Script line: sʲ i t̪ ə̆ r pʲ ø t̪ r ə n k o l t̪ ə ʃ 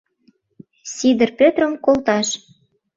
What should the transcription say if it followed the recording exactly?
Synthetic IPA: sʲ i d̪ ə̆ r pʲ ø t̪ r ə m k o l t̪ ɑ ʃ